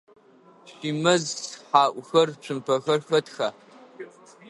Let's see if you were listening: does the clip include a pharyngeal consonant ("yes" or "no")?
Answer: yes